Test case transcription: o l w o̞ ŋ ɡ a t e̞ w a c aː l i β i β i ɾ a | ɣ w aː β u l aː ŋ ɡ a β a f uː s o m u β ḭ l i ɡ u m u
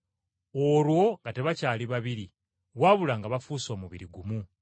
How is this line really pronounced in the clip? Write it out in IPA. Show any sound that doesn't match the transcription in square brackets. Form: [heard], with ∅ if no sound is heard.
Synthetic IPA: o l w o̞ ŋ ɡ a t e̞ [β] a c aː l i β [a] β i ɾ [i] | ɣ w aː β u l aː ŋ ɡ a β a f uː s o m u β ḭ [ɾ] i ɡ u m u